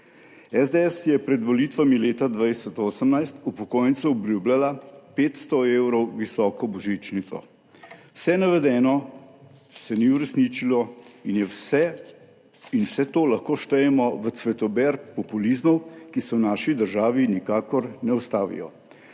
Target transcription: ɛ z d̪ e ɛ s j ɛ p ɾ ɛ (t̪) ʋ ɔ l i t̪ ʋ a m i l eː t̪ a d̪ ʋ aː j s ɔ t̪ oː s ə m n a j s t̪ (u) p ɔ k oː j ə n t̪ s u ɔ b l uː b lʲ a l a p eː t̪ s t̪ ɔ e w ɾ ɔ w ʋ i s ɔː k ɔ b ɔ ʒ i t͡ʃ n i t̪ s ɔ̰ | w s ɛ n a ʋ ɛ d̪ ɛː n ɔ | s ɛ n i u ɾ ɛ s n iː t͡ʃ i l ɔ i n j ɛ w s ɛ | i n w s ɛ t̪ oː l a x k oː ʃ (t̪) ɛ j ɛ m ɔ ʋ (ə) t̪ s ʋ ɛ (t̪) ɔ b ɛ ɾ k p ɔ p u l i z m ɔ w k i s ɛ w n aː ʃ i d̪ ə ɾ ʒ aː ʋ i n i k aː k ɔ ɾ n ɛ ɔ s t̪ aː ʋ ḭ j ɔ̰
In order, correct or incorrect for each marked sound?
incorrect: d̪, correct, correct, correct, correct

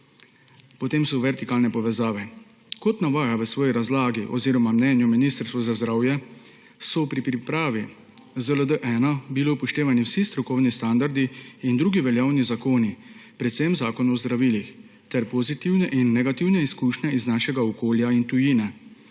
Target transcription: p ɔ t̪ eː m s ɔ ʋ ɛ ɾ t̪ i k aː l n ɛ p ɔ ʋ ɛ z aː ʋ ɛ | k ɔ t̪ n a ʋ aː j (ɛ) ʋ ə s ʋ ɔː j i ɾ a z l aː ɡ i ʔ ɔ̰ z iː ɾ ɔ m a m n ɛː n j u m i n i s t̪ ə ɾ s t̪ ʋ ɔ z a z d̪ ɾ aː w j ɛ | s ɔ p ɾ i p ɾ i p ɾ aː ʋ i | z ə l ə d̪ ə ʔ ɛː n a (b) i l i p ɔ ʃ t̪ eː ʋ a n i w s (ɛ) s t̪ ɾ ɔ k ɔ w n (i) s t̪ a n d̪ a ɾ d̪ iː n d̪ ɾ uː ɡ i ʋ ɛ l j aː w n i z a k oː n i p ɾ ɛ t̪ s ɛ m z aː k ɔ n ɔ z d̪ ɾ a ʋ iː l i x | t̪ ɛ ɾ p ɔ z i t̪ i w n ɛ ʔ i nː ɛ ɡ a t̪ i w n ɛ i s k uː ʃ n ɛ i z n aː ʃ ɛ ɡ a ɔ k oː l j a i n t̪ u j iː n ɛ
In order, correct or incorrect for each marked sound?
incorrect: a, correct, incorrect: i, correct

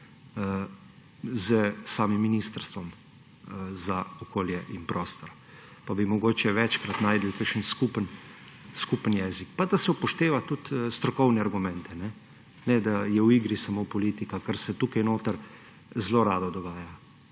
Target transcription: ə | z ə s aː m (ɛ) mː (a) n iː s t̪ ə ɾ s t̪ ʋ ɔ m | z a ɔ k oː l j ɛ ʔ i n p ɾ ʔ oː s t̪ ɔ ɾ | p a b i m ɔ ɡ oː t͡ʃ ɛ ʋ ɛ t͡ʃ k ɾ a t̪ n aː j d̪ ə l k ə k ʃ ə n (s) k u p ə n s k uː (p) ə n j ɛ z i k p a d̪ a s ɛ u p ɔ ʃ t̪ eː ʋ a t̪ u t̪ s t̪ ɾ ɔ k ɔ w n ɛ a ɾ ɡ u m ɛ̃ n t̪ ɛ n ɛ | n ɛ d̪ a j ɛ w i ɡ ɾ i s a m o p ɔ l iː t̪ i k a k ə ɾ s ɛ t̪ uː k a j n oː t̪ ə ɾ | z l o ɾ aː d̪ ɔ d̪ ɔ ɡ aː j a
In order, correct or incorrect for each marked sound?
incorrect: i, incorrect: i, correct, correct

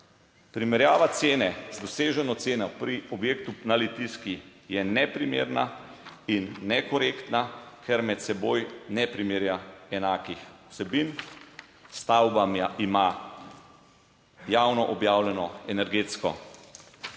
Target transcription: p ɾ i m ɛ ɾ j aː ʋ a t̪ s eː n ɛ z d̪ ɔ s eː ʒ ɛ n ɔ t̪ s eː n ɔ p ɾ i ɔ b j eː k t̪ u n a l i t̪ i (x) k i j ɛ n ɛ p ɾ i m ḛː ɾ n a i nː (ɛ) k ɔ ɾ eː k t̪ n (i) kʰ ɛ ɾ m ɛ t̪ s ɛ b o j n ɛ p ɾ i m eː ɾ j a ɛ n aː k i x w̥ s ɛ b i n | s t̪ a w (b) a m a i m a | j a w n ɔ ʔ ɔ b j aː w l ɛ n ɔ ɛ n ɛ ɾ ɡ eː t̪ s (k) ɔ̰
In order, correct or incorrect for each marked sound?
incorrect: s, correct, incorrect: a, correct, correct

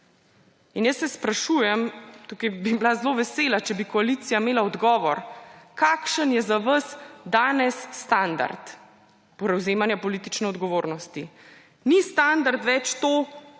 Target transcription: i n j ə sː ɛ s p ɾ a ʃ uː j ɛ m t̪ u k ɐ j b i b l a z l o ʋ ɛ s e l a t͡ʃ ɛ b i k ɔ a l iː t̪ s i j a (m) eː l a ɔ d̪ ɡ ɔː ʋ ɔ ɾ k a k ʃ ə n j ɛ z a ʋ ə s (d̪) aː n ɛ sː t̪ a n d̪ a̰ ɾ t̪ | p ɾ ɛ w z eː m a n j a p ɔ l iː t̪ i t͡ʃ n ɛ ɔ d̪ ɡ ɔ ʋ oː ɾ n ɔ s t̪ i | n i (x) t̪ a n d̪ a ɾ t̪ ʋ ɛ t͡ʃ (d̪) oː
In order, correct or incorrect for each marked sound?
correct, correct, incorrect: s, incorrect: t̪

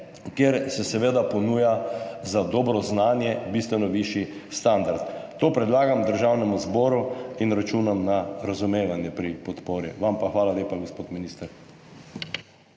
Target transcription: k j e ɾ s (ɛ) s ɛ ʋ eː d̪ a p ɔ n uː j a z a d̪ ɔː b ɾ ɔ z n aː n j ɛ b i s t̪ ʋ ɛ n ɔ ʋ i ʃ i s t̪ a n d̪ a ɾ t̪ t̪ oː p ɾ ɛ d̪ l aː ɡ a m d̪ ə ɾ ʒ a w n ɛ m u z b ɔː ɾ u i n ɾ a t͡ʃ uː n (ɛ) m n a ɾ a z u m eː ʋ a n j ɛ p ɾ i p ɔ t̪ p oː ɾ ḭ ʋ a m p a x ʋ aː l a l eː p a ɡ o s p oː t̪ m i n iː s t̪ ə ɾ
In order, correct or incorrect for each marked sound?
correct, incorrect: a

